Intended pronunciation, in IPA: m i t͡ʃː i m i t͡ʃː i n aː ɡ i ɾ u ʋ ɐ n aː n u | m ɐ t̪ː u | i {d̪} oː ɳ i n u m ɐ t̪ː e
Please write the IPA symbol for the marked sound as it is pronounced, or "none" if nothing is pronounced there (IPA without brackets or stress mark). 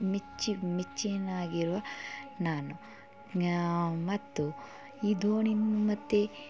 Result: d̪